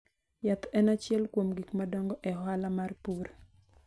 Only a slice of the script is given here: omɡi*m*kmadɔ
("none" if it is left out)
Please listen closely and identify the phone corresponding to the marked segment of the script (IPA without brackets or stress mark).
none